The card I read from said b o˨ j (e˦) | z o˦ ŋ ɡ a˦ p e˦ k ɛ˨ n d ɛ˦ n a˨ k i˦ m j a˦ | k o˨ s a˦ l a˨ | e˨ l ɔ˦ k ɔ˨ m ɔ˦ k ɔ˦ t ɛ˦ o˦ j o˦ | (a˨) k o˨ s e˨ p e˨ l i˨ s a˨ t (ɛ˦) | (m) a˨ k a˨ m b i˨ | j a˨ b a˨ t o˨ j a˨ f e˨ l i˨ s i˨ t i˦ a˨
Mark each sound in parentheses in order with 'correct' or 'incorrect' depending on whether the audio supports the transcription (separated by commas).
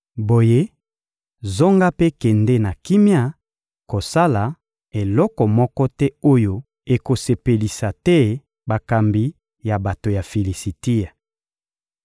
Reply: correct, incorrect, correct, incorrect